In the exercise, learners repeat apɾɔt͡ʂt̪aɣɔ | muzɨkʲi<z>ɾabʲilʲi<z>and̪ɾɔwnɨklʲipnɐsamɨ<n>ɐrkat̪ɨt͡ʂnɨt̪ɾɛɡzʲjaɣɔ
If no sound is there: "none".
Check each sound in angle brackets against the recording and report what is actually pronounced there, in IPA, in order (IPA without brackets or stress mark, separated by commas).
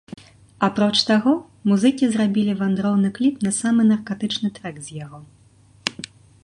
z, v, n